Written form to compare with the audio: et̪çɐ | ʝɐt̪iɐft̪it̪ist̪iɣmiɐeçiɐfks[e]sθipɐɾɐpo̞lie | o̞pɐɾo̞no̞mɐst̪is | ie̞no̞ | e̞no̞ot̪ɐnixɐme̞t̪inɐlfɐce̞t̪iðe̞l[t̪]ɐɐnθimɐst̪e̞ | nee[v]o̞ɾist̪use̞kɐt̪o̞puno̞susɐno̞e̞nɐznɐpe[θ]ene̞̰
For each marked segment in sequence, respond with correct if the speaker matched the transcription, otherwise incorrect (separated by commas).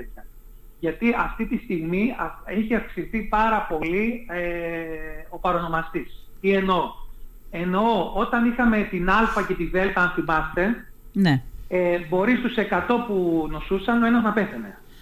incorrect, correct, incorrect, correct